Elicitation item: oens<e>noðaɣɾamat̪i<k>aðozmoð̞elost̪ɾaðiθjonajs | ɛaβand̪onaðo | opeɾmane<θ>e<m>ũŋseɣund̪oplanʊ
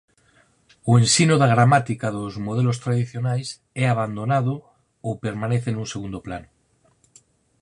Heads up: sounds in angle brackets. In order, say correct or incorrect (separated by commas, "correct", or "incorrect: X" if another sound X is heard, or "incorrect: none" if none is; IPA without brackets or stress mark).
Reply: incorrect: i, correct, correct, incorrect: n